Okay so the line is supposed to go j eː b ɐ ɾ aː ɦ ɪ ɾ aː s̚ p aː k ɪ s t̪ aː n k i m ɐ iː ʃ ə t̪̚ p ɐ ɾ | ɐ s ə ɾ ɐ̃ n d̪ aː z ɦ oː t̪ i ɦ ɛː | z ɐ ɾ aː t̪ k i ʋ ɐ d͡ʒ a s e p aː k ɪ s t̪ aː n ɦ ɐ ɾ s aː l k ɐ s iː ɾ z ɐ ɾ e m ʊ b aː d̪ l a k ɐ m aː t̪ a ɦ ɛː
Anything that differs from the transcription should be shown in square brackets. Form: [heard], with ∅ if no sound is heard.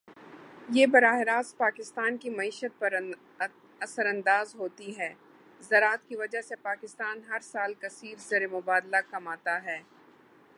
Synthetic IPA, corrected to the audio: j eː b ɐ ɾ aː ɦ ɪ ɾ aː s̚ p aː k ɪ s t̪ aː n k i m ɐ iː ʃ ə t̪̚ p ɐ ɾ | ɐ s ə ɾ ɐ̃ n d̪ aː z ɦ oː t̪ i ɦ ɛː | z ɐ ɾ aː t̪ k i ʋ ɐ d͡ʒ a s e p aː k ɪ s t̪ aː n ɦ ɐ ɾ s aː l k ɐ s iː ɾ z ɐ ɾ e m ʊ b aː d̪ l a k ɐ m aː t̪ a ɦ ɛː